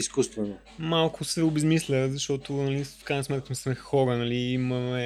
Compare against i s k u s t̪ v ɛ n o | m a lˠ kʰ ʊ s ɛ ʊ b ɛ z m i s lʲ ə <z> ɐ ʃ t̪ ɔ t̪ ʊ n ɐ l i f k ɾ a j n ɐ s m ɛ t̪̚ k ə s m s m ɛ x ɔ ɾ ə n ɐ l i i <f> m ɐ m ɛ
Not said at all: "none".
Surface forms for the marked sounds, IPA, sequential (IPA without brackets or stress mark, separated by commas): z, none